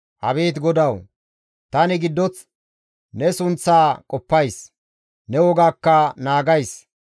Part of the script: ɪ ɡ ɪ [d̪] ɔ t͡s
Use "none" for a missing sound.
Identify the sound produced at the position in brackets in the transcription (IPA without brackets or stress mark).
d̪ː